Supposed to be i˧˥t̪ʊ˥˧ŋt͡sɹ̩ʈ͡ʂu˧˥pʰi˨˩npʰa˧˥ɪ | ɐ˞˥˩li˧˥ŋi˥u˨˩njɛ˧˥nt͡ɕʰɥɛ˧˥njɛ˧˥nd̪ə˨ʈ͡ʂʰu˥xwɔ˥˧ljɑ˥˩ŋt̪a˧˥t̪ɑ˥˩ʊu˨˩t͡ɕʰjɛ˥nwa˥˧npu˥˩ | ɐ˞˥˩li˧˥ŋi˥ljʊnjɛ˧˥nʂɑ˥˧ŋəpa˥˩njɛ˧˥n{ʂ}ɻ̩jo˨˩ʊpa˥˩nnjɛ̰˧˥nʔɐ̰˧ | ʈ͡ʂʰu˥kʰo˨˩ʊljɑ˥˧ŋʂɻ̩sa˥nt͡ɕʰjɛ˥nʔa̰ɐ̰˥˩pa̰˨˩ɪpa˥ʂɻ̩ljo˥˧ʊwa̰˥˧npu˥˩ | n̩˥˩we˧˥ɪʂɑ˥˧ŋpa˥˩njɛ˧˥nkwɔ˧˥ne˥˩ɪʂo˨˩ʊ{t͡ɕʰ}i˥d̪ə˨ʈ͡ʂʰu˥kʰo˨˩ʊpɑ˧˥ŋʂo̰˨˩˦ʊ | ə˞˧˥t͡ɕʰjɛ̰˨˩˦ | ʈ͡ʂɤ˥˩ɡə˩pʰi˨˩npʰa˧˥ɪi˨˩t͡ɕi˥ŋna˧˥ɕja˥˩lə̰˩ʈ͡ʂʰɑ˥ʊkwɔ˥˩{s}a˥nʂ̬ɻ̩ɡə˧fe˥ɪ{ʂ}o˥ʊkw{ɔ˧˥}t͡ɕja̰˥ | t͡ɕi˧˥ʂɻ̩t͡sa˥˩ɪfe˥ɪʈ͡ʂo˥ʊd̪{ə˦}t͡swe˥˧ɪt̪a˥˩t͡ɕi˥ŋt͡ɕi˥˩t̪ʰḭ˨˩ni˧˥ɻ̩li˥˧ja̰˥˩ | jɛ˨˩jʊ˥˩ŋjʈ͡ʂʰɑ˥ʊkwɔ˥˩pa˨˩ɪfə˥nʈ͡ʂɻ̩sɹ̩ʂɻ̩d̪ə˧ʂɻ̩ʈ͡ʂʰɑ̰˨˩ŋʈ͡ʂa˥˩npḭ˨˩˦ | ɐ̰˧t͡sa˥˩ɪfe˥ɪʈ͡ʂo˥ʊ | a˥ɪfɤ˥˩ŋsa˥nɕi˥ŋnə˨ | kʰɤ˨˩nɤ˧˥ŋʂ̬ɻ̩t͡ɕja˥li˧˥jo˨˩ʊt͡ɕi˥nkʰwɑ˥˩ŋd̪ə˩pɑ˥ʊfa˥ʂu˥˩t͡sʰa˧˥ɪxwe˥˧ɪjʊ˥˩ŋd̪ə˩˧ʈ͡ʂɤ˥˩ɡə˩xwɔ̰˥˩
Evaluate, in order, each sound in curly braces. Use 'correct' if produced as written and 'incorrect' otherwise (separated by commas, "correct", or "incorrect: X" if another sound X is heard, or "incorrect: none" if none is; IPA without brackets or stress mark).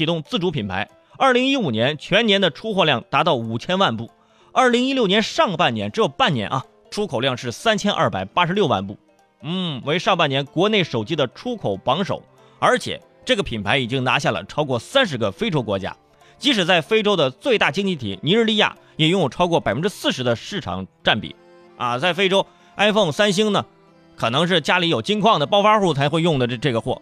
incorrect: ʈ͡ʂ, incorrect: t͡ɕ, correct, incorrect: ʈ͡ʂ, correct, incorrect: ə˨